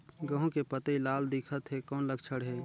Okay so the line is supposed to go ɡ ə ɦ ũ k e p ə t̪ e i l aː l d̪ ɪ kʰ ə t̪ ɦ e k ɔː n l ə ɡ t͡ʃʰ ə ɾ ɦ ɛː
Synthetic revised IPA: ɡ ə ɦ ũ k e p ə t̪ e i l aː l d̪ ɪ kʰ ə t̪ ɦ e k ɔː n l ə ɡ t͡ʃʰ ə ɽ ɦ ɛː